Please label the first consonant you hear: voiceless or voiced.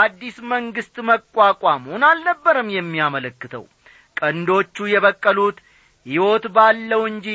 voiced